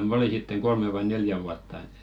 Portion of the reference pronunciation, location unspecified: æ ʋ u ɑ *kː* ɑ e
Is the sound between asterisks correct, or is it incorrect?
incorrect